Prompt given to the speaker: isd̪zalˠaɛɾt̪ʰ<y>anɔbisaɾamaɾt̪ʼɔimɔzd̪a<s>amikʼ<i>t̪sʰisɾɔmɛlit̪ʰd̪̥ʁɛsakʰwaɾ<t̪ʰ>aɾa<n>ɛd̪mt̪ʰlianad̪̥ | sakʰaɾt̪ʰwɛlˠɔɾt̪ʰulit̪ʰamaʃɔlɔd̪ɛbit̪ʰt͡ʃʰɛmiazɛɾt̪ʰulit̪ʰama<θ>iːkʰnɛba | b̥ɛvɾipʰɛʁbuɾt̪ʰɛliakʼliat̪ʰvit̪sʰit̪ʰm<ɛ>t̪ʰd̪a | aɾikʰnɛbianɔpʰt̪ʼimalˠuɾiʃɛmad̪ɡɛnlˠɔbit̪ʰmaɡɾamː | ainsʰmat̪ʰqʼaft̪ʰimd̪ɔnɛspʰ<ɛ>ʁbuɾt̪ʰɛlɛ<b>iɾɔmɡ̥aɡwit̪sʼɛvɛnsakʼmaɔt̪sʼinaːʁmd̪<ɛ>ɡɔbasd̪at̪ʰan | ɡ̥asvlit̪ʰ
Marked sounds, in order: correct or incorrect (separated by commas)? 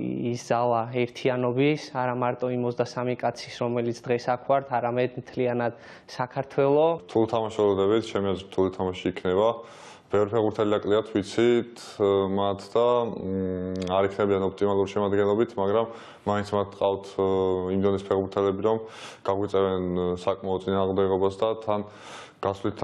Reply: incorrect, correct, incorrect, correct, incorrect, incorrect, incorrect, correct, correct, correct